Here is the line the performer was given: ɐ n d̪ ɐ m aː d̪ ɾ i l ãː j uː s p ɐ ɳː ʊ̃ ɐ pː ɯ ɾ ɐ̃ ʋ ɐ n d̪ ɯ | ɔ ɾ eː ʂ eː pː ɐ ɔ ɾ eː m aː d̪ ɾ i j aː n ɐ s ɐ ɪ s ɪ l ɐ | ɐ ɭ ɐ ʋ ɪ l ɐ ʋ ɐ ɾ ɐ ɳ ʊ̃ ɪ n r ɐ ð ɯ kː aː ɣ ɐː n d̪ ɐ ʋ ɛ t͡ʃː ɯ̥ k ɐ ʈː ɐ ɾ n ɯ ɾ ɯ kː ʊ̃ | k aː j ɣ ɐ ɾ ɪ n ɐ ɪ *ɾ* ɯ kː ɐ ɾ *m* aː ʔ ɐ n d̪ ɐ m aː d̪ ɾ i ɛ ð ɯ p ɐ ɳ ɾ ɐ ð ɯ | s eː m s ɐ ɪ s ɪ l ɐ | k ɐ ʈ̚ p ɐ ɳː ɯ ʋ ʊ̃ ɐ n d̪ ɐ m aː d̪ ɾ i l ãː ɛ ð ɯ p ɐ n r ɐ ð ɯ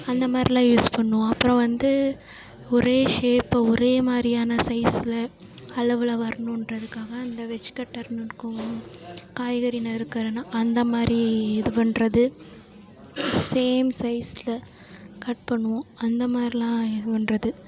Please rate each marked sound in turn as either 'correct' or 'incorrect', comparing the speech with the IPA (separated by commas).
correct, incorrect